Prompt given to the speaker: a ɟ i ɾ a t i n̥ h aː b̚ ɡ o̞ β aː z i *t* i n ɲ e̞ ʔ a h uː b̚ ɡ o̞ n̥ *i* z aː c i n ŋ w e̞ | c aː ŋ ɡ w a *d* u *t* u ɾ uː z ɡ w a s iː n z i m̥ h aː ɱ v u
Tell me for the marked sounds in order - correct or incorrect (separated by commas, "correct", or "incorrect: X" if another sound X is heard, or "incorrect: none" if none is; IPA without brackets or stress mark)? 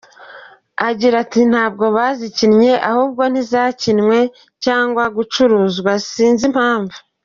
incorrect: c, correct, incorrect: ɡ, incorrect: t͡ʃ